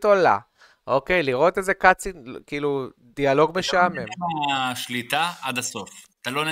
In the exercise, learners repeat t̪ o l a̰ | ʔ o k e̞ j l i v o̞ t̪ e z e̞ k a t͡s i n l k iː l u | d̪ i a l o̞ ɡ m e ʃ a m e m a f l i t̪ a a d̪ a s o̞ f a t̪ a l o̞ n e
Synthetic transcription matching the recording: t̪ o l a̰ | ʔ o k e̞ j l i ʁ o̞ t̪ e z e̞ k a t͡s i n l k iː l u | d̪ i a l o̞ ɡ m e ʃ a m e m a ʃ l i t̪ a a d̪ a s o̞ f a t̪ a l o̞ n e